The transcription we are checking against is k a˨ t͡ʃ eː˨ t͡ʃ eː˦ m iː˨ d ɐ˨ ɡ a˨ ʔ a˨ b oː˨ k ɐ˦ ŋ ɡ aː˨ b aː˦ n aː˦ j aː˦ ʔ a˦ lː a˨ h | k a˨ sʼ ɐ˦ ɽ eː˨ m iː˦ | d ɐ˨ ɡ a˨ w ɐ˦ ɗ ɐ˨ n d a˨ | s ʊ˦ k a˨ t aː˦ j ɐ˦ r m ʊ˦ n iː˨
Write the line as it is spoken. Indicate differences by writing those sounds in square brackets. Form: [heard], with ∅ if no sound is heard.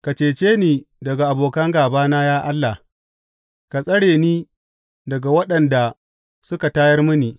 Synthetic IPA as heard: k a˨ t͡ʃ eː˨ t͡ʃ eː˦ [n] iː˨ d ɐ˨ ɡ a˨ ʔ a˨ b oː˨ k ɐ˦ ŋ ɡ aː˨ b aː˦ n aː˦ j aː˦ ʔ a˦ lː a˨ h | k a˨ sʼ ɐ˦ ɽ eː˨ [n] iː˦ | d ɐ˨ ɡ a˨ w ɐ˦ ɗ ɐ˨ n d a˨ | s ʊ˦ k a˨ t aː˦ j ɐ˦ r m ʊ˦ n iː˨